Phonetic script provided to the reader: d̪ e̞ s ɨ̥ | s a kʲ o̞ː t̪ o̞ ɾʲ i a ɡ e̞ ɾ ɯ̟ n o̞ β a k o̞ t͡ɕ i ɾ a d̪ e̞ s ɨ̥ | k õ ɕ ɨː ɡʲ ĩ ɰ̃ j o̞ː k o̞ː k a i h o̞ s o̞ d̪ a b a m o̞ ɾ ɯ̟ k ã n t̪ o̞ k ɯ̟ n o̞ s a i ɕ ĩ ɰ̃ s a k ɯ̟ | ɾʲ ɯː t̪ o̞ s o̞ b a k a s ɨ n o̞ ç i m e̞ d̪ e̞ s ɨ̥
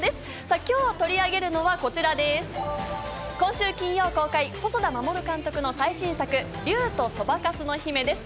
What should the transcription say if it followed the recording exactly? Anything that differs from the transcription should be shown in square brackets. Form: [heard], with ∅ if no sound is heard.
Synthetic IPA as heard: d̪ e̞ s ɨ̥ | s a kʲ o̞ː t̪ o̞ ɾʲ i a ɡ e̞ ɾ ɯ̟ n o̞ β a k o̞ t͡ɕ i ɾ a d̪ e̞ s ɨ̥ | k õ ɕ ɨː [kʲ] ĩ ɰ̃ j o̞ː k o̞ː k a i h o̞ s o̞ d̪ a [m] a m o̞ ɾ ɯ̟ k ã n t̪ o̞ k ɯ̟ n o̞ s a i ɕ ĩ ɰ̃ s a k ɯ̟ | ɾʲ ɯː t̪ o̞ s o̞ b a k a s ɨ n o̞ ç i m e̞ d̪ e̞ s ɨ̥